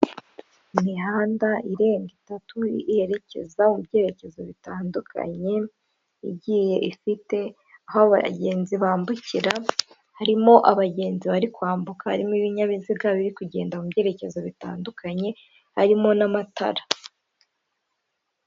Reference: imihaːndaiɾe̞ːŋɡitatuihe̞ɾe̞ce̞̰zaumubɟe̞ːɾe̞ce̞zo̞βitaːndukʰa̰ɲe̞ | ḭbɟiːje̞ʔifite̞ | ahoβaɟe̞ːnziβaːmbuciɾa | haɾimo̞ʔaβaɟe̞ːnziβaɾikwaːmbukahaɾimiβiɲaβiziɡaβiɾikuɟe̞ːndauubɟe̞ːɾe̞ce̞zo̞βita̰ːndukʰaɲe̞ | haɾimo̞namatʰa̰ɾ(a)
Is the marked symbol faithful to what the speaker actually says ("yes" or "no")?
yes